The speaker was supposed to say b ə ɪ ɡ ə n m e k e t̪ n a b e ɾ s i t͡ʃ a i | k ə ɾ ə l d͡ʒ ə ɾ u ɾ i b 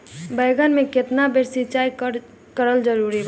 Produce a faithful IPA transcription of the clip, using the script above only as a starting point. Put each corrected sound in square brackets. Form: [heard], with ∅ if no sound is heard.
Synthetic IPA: b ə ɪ ɡ ə n m e k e t̪ n a b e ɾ s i t͡ʃ a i | k ə ɾ ə l d͡ʒ ə ɾ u ɾ i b